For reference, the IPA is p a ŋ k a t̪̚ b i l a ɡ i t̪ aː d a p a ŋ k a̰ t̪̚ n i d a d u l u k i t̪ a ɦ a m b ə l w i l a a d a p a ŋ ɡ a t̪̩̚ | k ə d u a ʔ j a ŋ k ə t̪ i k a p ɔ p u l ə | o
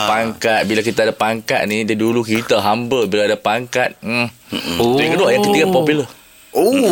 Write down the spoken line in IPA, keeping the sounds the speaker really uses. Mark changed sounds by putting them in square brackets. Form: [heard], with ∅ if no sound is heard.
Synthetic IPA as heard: p a ŋ k a t̪̚ b i l a [k] i t̪ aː d a p a ŋ k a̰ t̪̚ n i d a d u l u k i t̪ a ɦ a m b ə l [b] i l a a d a p a ŋ [k] a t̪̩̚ | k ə d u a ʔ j a ŋ k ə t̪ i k a p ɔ p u l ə | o